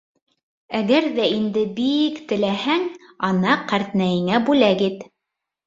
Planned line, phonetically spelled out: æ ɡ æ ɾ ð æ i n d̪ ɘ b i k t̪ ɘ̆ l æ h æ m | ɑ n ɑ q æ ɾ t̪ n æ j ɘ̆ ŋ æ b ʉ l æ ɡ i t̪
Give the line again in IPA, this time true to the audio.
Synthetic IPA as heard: æ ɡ æ ɾ ð æ i n d̪ ɘ b i k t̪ ɘ̆ l æ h æ ŋ | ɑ n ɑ q æ ɾ t̪ n æ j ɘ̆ ŋ æ b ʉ l æ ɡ i t̪